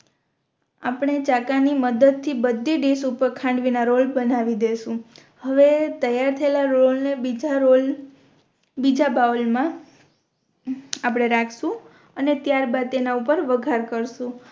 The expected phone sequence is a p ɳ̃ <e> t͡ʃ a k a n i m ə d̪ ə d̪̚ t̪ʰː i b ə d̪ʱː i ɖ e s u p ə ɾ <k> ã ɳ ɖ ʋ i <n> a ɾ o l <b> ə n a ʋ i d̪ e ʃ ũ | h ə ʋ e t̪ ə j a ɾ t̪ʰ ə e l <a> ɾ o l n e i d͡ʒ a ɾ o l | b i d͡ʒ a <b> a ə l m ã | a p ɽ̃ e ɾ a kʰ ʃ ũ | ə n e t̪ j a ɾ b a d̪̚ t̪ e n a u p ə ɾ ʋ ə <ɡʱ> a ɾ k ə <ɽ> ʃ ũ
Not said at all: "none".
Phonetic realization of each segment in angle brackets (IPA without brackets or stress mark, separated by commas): e, kʰ, n, b, a, b, ɡʱ, ɾ